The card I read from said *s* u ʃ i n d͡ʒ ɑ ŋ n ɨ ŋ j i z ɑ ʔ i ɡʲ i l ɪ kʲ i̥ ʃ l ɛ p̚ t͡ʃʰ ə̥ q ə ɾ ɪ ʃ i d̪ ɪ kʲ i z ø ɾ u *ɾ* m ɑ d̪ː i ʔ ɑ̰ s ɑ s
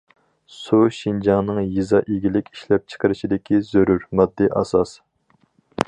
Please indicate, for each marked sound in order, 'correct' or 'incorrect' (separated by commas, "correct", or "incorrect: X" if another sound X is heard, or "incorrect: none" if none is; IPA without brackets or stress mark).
correct, correct